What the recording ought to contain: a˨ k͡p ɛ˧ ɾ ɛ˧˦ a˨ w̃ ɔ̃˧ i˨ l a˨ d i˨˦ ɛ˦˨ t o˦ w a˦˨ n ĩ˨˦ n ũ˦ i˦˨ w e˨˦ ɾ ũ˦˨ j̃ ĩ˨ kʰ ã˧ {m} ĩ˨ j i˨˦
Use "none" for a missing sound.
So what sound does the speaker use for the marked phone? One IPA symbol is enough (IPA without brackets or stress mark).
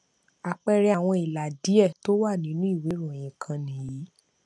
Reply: n